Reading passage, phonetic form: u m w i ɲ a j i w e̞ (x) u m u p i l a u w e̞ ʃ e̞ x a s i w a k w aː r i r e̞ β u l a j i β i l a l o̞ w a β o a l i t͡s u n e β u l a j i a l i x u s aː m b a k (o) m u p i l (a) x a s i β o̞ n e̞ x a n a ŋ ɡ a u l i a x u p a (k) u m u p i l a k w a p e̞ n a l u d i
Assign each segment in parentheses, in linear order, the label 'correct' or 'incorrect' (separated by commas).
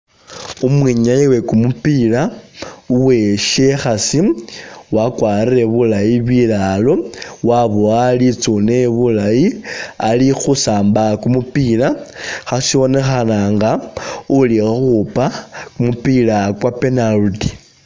incorrect, incorrect, correct, correct